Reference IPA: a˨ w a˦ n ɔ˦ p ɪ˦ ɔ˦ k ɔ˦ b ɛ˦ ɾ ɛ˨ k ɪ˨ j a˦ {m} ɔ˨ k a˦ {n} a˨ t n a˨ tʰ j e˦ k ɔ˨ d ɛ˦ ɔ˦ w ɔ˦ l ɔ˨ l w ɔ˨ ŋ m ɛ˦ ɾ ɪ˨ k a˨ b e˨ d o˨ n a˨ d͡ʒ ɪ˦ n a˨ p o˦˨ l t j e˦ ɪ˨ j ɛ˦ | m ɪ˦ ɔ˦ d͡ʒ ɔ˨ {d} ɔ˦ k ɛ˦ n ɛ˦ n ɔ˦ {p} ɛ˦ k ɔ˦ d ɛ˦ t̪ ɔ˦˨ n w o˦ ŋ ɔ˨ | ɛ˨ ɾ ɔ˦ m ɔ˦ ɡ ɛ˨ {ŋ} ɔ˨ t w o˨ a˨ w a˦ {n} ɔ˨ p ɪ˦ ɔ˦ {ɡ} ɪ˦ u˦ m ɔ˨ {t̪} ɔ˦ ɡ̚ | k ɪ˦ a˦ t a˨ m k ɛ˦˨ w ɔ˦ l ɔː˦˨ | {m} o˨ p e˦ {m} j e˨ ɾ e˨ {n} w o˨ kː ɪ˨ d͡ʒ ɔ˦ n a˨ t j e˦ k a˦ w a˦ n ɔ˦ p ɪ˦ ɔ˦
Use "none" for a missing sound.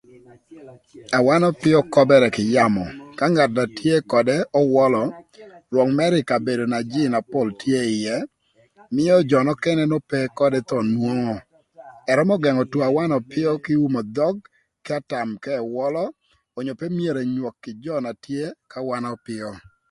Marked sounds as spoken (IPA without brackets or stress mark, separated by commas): m, ŋ, n, p, ŋ, n, k, d̪, ɲ, m, ɲ